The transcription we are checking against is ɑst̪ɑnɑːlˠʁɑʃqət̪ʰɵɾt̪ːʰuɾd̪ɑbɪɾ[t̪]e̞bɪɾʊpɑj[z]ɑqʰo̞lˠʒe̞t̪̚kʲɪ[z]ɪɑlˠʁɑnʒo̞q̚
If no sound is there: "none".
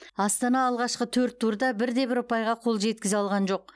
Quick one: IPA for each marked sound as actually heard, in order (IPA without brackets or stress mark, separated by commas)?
d̪, ʁ, z